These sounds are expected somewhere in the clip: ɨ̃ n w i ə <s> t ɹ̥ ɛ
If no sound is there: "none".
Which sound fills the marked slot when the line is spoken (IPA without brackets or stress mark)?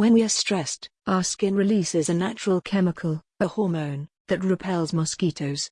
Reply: s